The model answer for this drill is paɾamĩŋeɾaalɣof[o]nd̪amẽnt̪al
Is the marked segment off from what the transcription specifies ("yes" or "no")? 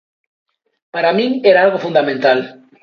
yes